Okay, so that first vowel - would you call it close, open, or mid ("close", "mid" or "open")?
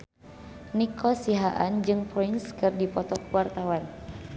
close